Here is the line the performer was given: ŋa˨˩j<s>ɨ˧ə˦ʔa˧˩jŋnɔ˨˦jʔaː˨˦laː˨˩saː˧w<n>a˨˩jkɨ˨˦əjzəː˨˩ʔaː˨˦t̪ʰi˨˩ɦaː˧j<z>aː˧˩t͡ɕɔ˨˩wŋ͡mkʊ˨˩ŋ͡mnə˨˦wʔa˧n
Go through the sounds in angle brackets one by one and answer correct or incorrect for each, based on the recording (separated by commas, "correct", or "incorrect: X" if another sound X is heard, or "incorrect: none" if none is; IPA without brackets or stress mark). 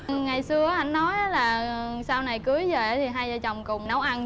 correct, correct, correct